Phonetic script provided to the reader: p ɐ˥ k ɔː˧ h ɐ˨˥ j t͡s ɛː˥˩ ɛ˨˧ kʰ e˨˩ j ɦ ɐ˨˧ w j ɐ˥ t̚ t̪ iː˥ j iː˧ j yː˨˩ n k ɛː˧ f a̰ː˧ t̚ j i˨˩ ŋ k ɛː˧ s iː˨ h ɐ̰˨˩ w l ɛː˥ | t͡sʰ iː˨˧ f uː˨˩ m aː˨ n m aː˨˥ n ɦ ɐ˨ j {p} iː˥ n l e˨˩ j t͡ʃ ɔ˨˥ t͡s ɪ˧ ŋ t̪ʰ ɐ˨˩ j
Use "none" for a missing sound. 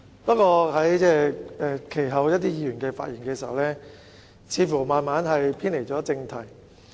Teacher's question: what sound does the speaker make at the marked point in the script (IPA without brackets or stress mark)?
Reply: pʰ